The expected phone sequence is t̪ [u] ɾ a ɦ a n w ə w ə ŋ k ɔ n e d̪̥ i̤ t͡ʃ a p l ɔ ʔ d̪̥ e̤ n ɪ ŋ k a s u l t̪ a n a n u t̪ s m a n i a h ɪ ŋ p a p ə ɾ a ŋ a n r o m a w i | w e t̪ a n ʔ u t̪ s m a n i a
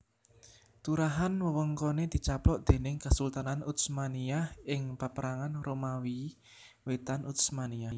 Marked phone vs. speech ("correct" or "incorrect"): correct